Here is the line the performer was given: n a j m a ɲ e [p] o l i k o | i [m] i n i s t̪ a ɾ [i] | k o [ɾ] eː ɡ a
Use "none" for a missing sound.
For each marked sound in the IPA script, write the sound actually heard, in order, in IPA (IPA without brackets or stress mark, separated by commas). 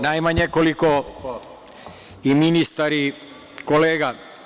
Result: k, m, i, l